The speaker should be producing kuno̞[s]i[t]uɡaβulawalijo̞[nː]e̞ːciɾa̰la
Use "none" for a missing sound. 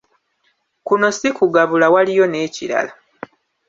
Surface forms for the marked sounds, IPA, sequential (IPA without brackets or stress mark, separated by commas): s, k, n